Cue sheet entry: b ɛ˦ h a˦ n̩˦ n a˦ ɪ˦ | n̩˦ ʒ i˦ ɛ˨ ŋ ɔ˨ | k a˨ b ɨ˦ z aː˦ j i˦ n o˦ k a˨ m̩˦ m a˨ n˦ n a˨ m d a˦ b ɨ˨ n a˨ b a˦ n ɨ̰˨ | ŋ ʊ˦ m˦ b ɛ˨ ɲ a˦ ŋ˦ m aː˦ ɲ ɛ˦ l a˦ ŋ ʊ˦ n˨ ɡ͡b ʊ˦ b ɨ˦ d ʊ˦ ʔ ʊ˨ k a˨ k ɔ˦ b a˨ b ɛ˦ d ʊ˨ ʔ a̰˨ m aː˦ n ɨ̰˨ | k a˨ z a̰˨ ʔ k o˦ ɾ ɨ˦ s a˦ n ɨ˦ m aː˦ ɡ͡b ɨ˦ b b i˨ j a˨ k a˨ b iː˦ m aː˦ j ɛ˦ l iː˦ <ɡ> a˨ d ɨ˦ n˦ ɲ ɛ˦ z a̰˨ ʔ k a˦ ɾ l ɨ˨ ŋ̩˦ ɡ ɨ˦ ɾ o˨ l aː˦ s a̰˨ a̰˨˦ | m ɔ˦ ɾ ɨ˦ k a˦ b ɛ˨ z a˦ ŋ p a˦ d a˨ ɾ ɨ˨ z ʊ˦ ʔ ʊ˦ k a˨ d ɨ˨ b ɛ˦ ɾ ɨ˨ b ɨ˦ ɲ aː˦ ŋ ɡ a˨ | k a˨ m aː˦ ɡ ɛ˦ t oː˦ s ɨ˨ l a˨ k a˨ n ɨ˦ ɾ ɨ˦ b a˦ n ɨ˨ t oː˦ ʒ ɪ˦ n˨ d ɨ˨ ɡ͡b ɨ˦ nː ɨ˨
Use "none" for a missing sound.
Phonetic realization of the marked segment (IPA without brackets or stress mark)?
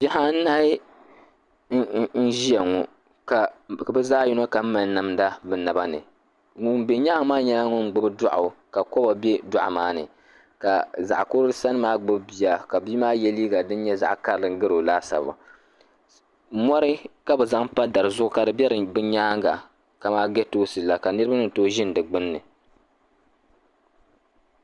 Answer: ɡ